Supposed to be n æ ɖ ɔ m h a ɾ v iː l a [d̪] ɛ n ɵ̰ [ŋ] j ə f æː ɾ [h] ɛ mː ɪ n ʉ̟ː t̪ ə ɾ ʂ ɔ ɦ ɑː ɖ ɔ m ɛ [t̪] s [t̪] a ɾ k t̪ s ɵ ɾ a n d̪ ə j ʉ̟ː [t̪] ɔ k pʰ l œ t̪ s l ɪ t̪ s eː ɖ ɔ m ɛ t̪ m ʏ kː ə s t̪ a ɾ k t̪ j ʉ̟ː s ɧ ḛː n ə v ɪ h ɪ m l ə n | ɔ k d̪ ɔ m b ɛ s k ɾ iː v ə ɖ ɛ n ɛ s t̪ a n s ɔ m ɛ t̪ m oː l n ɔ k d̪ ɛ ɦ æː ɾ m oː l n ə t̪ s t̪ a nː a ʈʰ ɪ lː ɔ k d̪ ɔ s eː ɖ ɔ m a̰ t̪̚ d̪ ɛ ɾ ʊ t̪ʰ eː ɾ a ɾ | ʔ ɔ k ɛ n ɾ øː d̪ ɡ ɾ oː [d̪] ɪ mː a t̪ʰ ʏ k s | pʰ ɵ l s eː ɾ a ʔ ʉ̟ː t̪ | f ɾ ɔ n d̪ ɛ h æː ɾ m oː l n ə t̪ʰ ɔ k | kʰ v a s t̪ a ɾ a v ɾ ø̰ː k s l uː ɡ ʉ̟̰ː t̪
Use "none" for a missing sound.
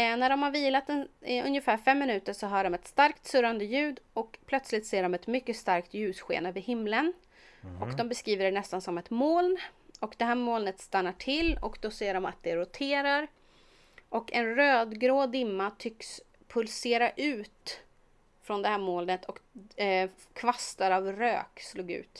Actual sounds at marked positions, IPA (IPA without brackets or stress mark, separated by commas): t̪, n, f, t̪, t̪, d̪, d̪